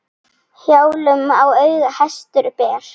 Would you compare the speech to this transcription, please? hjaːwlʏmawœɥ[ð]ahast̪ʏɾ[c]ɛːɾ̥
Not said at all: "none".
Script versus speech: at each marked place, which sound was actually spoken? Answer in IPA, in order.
ɣ, p

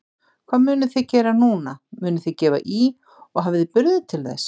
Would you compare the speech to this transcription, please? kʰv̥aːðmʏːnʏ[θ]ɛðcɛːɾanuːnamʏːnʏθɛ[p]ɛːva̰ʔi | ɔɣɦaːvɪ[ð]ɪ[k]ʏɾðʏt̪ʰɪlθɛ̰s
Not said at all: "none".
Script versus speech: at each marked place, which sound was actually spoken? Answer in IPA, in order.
θ, c, ð, p

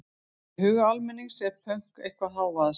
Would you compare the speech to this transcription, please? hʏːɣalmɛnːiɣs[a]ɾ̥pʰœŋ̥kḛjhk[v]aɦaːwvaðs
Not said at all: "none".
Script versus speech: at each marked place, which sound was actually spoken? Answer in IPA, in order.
ɛ, v

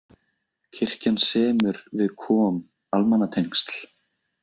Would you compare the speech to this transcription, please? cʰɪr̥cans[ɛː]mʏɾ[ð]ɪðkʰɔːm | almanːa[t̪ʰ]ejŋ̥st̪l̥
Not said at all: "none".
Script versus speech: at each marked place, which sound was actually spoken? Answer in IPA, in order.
ɛː, v, t̪ʰ

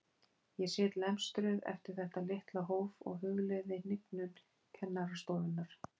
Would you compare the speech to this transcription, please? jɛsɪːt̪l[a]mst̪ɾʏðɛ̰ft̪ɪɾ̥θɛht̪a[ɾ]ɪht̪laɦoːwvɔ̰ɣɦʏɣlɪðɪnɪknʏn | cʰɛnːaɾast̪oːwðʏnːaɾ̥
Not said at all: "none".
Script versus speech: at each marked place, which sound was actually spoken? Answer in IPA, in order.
ɛ, l

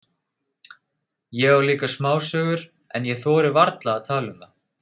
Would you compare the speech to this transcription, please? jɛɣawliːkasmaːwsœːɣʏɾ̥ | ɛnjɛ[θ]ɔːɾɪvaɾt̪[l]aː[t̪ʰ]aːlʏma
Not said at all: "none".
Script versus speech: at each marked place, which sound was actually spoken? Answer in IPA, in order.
θ, l, t̪ʰ

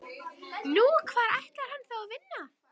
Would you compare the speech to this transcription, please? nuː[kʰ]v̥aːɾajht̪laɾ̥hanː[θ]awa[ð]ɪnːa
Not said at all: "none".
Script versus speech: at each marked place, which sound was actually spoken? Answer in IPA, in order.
kʰ, θ, v

